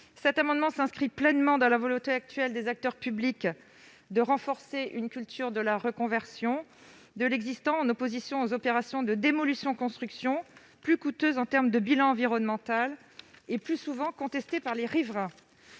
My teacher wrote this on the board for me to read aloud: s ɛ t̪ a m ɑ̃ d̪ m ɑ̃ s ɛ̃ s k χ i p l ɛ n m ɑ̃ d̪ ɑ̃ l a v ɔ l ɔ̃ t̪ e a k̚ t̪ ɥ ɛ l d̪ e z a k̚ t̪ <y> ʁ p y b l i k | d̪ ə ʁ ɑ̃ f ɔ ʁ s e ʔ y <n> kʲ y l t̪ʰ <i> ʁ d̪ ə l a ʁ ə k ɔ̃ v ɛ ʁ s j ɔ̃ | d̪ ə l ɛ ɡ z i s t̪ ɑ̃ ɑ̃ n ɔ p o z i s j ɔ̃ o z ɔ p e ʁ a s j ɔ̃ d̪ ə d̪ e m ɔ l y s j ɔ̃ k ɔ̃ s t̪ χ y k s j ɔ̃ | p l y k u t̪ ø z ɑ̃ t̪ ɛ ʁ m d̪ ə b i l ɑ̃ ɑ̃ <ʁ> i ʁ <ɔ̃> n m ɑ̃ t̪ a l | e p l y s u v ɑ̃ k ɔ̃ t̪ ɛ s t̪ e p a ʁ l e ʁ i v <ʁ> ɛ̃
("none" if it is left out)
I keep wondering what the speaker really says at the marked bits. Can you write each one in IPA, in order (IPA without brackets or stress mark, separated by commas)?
œ, n, y, v, ɔ, ʁ